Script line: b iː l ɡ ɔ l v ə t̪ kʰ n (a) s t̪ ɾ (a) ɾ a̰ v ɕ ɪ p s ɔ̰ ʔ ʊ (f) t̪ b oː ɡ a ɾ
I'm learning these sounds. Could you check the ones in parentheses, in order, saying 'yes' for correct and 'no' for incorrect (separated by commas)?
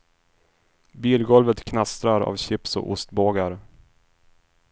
yes, yes, no